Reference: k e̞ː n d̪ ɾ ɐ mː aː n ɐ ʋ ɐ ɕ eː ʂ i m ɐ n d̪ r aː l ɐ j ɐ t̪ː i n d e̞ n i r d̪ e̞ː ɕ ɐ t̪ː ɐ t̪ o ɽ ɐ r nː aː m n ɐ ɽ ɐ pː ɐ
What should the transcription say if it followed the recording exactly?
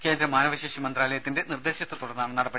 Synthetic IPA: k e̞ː n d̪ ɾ ɐ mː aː n ɐ ʋ ɐ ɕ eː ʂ i m ɐ n d̪ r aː l ɐ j ɐ t̪ː i n d e̞ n i r d̪ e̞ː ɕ ɐ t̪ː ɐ t̪ u ɽ ɐ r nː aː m n ɐ ɽ ɐ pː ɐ